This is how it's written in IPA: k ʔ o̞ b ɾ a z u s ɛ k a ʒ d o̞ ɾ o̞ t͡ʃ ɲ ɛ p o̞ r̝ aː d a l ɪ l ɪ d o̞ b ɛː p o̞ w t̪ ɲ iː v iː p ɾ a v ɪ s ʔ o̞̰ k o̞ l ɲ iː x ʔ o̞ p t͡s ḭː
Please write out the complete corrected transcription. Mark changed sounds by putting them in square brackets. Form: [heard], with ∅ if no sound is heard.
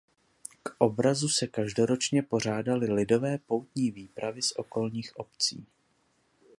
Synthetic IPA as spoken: k ʔ o̞ b ɾ a z u s ɛ k a ʒ d o̞ ɾ o̞ t͡ʃ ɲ ɛ p o̞ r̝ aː d a l ɪ l ɪ d o̞ [v] ɛː p o̞ w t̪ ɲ iː v iː p ɾ a v ɪ s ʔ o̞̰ k o̞ l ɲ iː x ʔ o̞ p t͡s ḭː